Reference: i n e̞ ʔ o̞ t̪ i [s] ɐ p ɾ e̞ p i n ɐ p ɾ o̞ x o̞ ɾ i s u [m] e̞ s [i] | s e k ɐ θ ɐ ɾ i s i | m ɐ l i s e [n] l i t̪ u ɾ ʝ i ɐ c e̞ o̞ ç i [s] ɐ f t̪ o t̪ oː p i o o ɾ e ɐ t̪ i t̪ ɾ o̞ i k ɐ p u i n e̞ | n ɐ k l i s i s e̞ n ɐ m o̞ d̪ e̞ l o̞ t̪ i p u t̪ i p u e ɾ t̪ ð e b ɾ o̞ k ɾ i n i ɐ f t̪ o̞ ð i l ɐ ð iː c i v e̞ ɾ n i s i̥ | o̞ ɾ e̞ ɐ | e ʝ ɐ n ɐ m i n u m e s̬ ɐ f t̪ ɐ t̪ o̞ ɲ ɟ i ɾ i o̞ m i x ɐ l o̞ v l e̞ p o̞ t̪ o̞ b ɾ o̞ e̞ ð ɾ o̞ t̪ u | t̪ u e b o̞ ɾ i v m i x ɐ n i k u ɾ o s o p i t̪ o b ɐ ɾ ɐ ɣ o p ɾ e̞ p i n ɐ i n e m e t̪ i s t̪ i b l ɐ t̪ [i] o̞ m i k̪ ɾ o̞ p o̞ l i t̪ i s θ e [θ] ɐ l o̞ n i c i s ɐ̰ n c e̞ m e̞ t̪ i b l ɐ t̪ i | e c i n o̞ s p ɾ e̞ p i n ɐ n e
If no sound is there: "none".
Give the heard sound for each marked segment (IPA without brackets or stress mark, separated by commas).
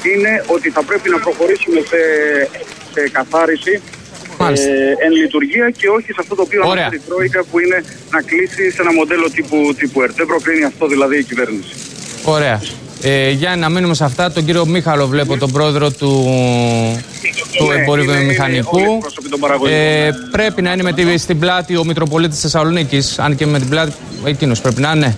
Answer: θ, m, e, n, s, i, s